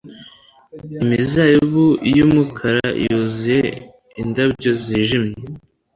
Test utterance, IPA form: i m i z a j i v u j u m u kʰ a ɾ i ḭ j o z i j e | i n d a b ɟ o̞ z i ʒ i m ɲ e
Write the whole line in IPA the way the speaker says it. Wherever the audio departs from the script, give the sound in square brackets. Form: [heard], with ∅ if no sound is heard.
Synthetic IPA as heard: i m i z a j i [β] u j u m u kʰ a ɾ [a] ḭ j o z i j e | i n d a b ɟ o̞ z i ʒ i m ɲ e